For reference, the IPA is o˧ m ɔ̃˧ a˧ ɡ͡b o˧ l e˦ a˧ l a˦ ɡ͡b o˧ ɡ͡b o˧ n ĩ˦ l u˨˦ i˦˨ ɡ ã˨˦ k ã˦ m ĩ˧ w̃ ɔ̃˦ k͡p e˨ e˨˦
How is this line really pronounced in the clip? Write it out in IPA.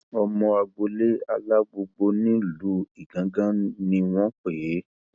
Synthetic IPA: ɔ˧ m ɔ̃˧ a˧ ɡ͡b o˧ l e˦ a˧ l a˦ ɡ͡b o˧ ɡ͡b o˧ n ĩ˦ l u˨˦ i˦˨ ɡ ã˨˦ ɡ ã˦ n ĩ˧ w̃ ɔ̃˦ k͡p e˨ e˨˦